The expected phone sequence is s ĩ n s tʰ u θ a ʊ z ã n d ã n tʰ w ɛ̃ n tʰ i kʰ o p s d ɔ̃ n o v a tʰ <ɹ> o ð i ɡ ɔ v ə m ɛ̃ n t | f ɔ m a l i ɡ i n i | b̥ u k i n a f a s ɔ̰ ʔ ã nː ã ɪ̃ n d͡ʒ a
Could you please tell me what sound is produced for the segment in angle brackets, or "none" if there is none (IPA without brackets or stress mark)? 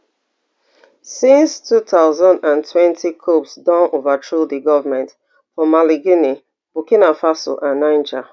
ɹ